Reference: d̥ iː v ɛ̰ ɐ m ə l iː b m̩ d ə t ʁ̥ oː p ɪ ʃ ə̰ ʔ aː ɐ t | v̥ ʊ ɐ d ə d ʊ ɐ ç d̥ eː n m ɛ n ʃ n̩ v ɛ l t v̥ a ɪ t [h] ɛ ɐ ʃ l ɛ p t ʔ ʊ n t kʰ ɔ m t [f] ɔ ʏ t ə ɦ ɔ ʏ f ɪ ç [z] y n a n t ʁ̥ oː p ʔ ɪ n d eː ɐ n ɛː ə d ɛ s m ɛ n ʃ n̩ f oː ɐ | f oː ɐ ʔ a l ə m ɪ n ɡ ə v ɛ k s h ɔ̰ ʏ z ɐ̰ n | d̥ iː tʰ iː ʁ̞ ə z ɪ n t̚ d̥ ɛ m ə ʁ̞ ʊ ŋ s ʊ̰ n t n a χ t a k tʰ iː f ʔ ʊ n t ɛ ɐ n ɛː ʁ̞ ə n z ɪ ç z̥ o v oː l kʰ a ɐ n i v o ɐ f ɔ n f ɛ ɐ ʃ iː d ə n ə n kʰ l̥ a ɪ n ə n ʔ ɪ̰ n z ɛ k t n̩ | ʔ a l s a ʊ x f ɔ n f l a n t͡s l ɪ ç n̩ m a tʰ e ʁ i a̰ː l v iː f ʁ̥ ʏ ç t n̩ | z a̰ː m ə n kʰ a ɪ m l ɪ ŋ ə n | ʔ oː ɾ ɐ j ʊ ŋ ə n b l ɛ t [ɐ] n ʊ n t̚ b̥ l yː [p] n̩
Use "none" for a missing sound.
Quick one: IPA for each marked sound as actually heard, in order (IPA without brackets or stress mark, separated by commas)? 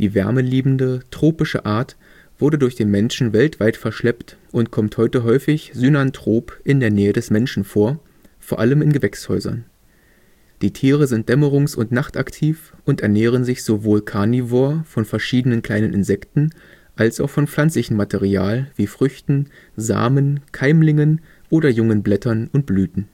f, h, z, ɐ, t